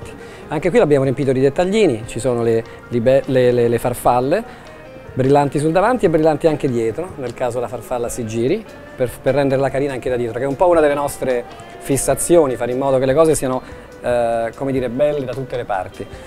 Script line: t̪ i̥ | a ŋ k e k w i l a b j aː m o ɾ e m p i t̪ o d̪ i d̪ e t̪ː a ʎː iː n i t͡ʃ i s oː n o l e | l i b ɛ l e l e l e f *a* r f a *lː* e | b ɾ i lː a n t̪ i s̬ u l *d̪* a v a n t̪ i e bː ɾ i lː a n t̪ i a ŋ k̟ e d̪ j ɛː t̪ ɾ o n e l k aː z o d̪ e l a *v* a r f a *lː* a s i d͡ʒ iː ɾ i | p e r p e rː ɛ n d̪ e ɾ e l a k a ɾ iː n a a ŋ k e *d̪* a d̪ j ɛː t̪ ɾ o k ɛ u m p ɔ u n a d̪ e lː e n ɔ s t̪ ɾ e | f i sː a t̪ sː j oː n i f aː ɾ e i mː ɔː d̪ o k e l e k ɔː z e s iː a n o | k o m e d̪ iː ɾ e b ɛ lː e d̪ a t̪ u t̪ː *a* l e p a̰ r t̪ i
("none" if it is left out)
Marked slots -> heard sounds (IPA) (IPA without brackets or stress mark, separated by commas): a, lː, d̪, f, lː, d̪, e